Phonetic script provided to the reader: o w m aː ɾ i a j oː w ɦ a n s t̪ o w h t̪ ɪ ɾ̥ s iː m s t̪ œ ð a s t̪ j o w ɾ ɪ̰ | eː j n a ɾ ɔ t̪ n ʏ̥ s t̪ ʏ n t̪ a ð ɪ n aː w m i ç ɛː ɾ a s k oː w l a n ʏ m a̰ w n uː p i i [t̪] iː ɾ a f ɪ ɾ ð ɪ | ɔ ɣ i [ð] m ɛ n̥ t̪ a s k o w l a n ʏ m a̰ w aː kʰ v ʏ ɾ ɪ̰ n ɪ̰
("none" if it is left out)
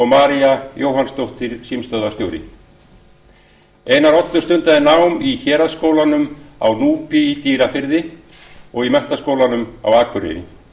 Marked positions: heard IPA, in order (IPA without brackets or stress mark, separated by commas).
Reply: t̪, none